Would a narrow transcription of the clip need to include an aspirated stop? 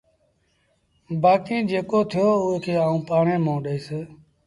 yes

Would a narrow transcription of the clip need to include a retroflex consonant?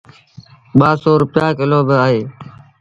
no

